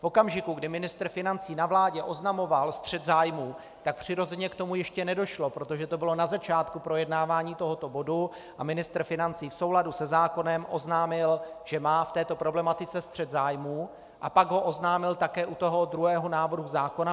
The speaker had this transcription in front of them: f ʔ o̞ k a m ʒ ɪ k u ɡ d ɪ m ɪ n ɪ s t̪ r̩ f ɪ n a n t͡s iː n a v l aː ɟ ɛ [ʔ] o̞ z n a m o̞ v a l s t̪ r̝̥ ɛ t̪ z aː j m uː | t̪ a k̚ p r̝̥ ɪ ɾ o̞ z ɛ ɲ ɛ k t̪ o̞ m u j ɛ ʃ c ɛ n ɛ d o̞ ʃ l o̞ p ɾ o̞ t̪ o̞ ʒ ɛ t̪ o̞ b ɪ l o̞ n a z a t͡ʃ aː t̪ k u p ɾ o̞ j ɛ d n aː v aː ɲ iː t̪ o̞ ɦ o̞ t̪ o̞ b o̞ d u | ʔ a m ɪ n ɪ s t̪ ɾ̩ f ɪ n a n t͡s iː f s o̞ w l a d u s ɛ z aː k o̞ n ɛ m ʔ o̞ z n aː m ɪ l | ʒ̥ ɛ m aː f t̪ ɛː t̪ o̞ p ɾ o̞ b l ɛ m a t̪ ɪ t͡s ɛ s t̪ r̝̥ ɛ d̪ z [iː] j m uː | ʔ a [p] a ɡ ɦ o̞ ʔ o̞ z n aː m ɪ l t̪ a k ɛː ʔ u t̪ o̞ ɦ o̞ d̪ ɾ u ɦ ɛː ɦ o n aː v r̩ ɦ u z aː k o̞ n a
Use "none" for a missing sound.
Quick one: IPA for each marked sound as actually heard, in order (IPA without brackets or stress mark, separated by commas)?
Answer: ʔ, aː, p